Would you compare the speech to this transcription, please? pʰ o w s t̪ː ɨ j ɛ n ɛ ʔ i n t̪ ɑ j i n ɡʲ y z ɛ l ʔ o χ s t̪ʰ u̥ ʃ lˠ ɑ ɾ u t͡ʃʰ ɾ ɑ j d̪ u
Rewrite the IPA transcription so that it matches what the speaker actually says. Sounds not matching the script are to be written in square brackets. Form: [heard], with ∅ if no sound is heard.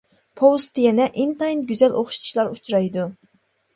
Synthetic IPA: pʰ o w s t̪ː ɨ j ɛ n ɛ ʔ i n t̪ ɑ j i n ɡʲ y z ɛ l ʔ o χ [ʃ] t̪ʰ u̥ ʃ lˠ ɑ ɾ u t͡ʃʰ ɾ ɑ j d̪ u